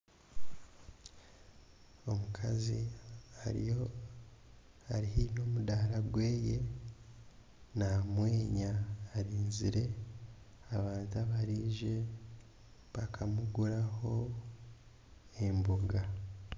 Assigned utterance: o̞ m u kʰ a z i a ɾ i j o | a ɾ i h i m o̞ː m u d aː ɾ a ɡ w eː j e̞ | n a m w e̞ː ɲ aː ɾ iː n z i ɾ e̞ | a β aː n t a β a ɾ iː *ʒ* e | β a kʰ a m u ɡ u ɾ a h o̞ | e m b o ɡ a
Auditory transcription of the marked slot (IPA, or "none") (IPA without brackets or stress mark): ʒ